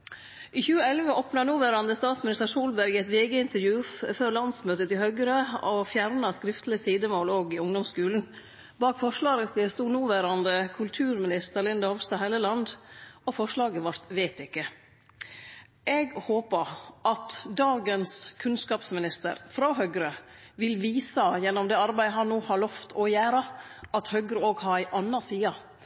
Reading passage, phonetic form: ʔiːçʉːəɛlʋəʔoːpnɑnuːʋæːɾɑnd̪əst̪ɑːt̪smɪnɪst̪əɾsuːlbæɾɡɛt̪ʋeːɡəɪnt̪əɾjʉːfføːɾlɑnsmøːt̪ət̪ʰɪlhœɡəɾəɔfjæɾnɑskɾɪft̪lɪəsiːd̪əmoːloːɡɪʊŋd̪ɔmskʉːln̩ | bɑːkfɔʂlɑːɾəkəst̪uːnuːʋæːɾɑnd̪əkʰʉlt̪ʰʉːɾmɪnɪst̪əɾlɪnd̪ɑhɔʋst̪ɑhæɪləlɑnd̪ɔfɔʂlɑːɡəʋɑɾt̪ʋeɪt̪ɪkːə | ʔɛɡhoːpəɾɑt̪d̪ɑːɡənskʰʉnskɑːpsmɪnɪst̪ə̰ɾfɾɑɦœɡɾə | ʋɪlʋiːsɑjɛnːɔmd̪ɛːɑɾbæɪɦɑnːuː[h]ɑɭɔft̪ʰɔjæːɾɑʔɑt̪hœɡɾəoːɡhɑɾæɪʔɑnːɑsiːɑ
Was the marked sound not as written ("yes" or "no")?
no